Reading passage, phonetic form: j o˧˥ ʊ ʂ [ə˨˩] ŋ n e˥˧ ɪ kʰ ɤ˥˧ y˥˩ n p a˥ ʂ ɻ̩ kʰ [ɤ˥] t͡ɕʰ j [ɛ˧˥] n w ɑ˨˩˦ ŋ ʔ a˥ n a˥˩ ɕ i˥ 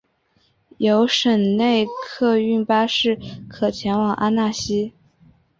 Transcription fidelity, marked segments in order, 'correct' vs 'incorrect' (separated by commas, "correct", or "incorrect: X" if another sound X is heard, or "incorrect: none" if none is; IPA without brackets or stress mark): correct, incorrect: ɤ˨˩, correct